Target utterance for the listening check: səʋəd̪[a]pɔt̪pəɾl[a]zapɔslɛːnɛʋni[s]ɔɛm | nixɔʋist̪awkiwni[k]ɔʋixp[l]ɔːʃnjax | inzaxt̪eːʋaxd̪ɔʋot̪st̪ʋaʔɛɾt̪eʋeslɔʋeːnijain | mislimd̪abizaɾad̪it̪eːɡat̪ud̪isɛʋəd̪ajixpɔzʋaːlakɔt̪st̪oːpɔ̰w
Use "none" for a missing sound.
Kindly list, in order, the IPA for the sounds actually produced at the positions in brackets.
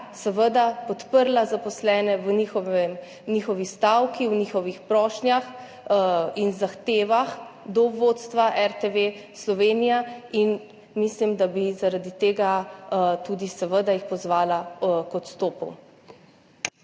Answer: a, a, x, x, ɾ

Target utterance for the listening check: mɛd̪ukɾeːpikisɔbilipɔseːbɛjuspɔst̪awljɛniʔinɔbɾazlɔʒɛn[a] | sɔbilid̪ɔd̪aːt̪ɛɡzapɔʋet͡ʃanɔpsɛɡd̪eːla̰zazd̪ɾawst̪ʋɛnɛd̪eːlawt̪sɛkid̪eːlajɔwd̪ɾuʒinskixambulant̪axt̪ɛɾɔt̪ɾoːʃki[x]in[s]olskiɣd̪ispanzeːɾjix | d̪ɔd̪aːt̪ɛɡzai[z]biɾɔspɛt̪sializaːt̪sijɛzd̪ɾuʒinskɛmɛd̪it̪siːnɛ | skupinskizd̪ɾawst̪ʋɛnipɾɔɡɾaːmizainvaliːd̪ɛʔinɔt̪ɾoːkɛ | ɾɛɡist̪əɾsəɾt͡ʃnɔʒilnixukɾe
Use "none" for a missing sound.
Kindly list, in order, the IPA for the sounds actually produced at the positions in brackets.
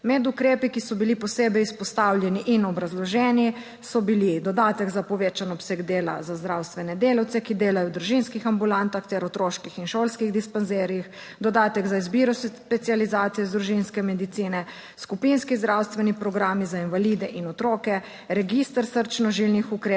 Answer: i, x, ʃ, z

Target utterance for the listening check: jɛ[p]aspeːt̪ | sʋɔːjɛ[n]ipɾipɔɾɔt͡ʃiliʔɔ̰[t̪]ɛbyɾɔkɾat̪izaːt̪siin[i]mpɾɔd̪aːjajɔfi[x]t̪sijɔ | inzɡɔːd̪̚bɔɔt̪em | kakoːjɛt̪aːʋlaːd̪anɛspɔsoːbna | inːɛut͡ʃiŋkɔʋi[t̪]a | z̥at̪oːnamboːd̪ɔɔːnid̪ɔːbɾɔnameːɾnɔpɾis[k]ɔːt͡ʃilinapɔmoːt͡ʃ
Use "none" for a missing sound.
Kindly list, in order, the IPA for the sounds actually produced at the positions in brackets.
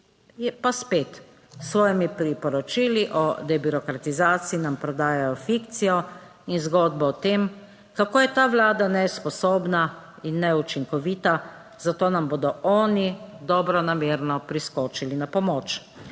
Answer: p, m, d̪, a, k, t̪, k

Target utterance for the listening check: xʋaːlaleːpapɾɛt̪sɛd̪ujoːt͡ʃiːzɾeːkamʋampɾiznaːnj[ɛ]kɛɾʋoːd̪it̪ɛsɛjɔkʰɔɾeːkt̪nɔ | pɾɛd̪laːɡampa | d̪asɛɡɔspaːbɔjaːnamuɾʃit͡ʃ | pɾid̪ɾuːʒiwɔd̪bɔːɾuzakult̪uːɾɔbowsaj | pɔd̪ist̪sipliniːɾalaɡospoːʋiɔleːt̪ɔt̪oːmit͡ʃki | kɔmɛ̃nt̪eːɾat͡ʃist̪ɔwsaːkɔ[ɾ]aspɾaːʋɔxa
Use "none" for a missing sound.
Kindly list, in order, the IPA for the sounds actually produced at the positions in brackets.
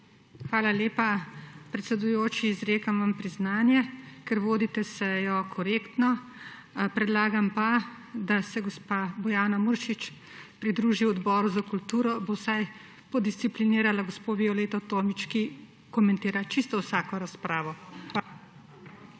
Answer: ɛ, ɾ

